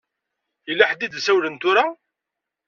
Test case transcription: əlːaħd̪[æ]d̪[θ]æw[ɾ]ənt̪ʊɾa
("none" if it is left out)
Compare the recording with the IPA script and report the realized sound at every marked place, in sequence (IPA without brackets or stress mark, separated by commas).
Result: i, s, l